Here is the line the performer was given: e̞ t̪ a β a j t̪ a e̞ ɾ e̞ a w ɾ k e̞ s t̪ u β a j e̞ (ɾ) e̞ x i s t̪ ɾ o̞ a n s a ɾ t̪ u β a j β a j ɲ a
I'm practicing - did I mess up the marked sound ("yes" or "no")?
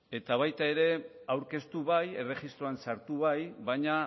yes